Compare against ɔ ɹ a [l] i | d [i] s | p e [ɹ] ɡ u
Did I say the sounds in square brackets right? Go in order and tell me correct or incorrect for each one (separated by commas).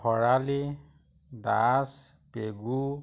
correct, incorrect, incorrect